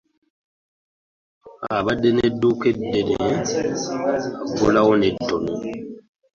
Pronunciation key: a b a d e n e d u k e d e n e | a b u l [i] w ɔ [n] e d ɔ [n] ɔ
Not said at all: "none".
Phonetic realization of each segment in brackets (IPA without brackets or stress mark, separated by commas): a, n, n